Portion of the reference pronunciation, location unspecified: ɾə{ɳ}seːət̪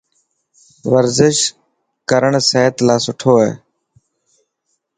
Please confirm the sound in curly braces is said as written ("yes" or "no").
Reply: yes